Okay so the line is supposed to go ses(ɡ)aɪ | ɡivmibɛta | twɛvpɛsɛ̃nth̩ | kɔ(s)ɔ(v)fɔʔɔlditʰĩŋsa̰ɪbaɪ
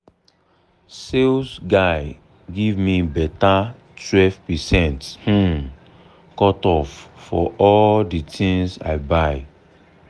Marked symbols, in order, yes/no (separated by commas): yes, no, no